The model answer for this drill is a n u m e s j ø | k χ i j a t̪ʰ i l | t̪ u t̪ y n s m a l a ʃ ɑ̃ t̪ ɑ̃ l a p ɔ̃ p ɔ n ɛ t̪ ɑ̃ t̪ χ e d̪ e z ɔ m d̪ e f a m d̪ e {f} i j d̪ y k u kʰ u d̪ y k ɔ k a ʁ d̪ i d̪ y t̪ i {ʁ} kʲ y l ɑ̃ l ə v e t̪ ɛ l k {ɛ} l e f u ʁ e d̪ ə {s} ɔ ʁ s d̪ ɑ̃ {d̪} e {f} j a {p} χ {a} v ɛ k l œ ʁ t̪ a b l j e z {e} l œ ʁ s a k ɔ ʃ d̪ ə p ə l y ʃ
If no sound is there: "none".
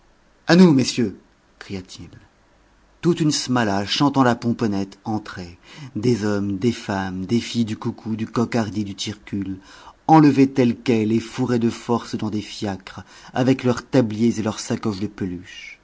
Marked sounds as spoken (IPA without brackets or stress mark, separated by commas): f, ʁ, ɛ, f, d̪, f, k, a, e